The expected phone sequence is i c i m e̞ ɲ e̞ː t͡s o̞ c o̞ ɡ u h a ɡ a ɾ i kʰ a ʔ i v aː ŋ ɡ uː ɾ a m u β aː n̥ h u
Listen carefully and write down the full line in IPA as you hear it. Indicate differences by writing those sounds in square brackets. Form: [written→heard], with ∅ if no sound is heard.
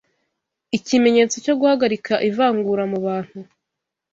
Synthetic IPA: i c i m e̞ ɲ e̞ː t͡s o̞ c o̞ ɡ u h a ɡ a ɾ i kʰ a ʔ i v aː ŋ ɡ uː ɾ a m u β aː n̥ h u